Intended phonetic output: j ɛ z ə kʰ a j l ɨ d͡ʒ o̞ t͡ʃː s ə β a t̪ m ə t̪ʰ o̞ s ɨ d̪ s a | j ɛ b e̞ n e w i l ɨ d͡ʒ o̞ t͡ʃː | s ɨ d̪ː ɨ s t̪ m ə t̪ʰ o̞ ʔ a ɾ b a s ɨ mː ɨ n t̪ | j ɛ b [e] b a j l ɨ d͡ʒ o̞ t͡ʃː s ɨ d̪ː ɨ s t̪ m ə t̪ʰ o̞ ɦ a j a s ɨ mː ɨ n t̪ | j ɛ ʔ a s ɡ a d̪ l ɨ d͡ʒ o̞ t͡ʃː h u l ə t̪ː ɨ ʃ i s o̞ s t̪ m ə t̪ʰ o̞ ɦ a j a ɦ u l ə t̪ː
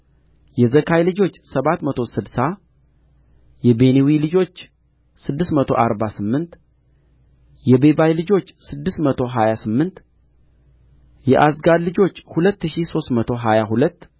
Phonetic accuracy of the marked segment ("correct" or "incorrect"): correct